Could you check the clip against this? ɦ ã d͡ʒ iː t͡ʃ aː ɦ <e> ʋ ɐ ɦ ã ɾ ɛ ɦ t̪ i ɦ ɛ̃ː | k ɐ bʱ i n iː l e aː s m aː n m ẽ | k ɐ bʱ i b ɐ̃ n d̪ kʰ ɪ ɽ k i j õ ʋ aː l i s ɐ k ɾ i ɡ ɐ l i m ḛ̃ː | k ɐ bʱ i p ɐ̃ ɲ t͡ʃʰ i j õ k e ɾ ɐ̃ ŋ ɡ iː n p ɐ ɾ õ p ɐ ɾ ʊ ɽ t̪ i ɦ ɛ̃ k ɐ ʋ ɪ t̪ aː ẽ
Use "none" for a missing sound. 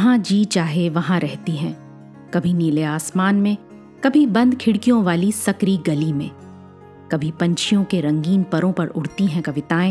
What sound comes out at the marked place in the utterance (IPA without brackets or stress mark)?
e